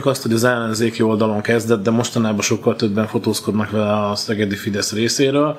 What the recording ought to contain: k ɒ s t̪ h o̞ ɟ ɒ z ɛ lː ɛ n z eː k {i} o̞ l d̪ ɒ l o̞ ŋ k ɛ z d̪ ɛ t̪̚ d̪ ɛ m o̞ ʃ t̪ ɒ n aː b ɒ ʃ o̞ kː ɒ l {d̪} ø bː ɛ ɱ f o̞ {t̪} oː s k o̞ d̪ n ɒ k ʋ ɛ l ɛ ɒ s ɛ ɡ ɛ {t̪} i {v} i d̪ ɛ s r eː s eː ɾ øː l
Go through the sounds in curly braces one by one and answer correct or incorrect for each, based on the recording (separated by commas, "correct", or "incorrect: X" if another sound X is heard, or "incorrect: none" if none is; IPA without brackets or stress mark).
correct, incorrect: t̪, correct, incorrect: d̪, incorrect: f